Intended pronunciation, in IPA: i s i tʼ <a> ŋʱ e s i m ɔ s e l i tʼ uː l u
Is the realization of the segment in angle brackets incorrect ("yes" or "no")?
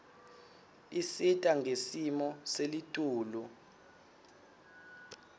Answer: no